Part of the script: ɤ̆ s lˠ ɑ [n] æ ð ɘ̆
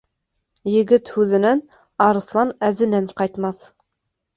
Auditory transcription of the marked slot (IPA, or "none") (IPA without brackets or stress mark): n